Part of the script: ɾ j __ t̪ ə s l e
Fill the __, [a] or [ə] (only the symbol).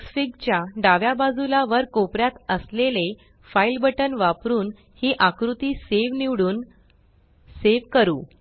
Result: a